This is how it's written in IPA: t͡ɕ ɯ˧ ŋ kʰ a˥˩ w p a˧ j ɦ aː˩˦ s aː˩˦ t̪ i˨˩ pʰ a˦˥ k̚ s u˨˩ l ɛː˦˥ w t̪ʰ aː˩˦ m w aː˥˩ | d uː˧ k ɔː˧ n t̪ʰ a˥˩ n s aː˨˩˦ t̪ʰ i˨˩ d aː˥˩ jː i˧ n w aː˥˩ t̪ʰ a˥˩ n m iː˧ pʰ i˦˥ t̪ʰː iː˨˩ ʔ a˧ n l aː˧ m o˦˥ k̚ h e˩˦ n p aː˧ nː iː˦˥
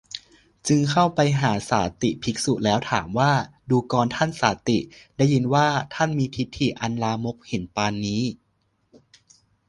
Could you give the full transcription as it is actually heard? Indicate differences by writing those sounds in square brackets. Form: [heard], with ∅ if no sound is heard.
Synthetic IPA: t͡ɕ ɯ˧ ŋ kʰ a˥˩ w p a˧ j ɦ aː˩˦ s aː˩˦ t̪ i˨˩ pʰ [i˦˥] k̚ s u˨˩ l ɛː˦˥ w t̪ʰ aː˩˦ m w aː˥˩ | d uː˧ k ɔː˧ n t̪ʰ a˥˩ n s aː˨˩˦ [t̪] i˨˩ d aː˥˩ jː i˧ n w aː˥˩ t̪ʰ a˥˩ n m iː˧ pʰ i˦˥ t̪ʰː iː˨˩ ʔ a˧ n l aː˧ m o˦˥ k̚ h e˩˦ n p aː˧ nː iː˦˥